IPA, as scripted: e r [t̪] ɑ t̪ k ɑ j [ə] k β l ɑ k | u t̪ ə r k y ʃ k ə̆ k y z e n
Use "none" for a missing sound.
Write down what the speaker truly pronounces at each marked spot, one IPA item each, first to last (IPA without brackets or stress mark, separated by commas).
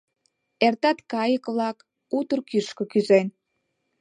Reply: t̪, ə